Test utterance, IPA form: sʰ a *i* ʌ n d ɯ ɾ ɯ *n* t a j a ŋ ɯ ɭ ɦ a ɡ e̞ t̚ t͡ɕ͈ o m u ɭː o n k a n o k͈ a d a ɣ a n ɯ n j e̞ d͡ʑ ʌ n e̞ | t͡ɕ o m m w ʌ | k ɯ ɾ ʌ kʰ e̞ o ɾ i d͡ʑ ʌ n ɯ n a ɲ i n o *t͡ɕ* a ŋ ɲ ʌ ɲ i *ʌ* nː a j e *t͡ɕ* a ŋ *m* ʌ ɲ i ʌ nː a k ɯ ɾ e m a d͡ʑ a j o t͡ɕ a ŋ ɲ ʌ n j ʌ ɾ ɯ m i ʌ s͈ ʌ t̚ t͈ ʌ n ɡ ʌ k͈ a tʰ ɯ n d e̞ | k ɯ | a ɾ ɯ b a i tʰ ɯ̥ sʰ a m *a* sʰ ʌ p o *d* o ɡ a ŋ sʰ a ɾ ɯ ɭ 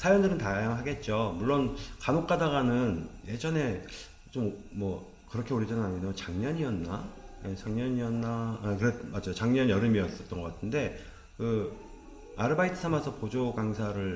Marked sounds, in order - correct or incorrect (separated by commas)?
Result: incorrect, correct, correct, correct, correct, incorrect, correct, incorrect